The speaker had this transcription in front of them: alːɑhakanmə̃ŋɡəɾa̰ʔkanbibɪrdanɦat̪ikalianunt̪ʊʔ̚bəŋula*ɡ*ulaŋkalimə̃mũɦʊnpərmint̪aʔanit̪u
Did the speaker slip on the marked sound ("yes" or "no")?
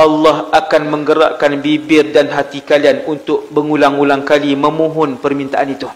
yes